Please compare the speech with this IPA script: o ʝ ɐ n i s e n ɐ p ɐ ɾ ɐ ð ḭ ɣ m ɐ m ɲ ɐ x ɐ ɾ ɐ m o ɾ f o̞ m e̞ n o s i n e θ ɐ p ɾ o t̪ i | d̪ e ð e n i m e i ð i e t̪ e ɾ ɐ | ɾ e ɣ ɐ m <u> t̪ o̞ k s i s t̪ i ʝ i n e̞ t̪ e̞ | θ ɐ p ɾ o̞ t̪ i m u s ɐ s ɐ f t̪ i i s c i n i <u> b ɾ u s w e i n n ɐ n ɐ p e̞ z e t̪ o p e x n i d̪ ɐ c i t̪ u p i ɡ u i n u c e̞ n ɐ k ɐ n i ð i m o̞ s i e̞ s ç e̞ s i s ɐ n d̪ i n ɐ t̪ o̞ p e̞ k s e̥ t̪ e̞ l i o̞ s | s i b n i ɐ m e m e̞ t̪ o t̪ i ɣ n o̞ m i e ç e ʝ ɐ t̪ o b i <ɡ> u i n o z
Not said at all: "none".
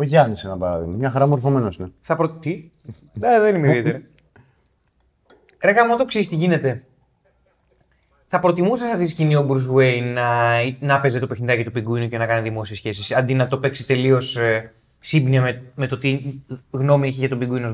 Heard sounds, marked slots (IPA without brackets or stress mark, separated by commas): o, o, ɡ